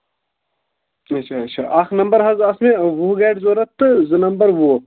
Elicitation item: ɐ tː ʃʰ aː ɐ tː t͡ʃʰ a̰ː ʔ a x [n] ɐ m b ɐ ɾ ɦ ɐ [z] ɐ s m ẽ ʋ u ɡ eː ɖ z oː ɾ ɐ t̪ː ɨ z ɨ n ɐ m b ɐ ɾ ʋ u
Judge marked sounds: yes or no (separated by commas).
yes, yes